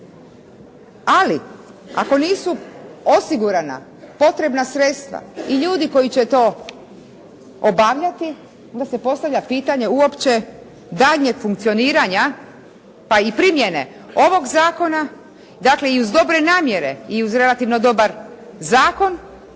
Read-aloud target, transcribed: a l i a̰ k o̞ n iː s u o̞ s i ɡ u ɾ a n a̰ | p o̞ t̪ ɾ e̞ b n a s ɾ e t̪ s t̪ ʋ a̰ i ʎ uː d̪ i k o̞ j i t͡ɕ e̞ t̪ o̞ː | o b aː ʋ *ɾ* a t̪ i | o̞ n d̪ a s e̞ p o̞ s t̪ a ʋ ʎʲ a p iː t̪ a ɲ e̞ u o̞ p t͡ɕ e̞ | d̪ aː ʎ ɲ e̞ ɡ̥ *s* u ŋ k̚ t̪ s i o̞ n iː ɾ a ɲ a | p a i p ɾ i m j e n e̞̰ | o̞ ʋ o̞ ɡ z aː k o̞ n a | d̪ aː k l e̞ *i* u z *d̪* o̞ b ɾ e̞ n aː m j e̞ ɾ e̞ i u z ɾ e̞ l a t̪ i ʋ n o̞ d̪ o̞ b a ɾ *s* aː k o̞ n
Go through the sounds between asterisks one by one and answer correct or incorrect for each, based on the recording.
incorrect, incorrect, correct, correct, incorrect

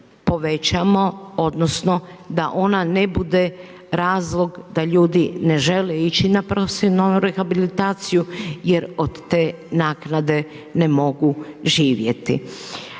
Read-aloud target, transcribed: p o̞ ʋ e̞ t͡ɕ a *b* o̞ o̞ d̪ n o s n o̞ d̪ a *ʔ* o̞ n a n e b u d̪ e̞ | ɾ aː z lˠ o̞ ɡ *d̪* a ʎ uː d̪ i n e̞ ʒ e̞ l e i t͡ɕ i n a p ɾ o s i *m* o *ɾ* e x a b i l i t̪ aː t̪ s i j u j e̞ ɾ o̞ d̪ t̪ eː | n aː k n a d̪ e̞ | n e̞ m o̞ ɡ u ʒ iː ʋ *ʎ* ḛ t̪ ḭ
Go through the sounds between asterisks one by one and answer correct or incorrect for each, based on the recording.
incorrect, correct, correct, incorrect, correct, incorrect

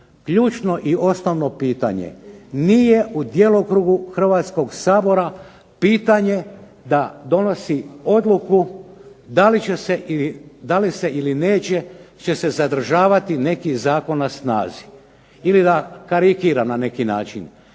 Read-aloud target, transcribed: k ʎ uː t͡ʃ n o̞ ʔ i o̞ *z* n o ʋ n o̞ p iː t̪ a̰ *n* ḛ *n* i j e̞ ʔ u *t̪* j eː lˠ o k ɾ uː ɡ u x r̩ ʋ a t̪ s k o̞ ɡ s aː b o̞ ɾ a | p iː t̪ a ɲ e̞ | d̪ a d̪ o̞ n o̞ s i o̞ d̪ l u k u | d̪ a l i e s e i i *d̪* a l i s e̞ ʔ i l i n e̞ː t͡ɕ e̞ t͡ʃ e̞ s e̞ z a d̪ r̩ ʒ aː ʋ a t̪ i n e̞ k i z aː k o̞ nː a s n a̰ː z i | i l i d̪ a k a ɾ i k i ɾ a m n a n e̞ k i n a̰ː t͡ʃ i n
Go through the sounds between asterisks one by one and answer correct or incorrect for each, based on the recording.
incorrect, incorrect, correct, incorrect, correct

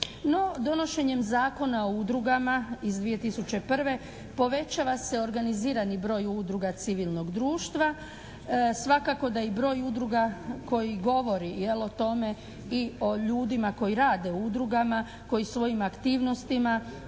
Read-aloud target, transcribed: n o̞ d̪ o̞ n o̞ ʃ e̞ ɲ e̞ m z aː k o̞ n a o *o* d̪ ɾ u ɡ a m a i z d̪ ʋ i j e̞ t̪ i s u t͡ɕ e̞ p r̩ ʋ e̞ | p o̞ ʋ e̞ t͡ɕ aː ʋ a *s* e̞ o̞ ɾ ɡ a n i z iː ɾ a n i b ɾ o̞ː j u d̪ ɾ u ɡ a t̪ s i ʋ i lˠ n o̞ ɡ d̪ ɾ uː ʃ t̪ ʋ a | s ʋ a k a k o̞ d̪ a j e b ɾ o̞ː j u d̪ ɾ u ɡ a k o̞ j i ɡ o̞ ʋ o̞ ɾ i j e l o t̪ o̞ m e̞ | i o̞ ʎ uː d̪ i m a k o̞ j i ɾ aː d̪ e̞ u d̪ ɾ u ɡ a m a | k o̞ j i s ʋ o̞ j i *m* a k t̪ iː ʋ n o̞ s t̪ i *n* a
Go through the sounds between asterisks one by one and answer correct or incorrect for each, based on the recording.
incorrect, correct, correct, incorrect

